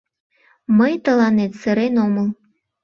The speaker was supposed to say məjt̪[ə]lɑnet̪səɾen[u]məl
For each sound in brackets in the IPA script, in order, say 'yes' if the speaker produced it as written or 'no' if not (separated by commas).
yes, no